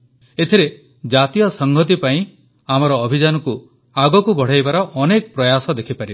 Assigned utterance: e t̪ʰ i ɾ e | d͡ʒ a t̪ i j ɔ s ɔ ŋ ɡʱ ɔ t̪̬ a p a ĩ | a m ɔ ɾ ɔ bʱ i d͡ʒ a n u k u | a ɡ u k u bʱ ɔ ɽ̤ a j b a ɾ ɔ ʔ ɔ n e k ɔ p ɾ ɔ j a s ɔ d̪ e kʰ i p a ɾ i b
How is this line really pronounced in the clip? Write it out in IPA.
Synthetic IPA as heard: e t̪ʰ i ɾ e | d͡ʒ a t̪ i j ɔ s ɔ ŋ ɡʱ ɔ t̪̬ i p a ĩ | a m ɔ ɾ ɔː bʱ i d͡ʒ a n ɔ k u | a ɡ ɔ k u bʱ ɔ ɽ̤ a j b a ɾ ɔ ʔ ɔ n e k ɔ p ɾ ɔ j a s ɔ d̪ e kʰ i p a ɾ i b